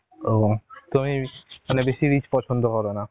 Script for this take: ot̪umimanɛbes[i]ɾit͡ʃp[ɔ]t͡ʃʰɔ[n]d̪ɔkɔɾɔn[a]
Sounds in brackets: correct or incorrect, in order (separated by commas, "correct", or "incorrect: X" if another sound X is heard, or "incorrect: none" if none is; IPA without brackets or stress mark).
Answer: correct, correct, correct, correct